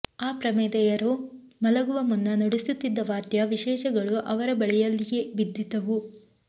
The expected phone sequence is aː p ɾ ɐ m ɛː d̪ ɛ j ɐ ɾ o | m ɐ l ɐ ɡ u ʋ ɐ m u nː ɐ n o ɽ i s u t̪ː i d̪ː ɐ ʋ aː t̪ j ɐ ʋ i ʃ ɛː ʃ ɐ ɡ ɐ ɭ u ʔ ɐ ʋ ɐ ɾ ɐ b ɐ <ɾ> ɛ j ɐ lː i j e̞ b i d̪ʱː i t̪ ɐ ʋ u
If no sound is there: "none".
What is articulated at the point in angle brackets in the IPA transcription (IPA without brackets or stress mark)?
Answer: ɭ